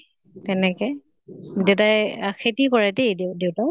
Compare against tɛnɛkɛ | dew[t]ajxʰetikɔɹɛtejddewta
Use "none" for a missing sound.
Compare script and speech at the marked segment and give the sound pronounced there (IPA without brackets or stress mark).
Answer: t